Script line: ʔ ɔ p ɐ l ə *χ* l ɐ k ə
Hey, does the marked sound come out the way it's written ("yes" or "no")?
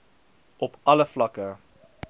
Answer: no